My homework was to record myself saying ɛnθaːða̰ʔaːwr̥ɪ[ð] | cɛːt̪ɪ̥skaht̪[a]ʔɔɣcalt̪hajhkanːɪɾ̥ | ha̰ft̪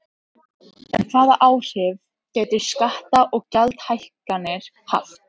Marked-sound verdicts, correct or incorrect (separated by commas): incorrect, correct